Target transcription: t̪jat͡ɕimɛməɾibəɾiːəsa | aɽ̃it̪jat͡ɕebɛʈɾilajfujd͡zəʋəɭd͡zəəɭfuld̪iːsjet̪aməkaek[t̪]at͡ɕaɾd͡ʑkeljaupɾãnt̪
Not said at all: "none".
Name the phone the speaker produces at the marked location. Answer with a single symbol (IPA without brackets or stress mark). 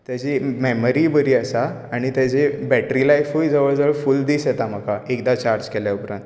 d̪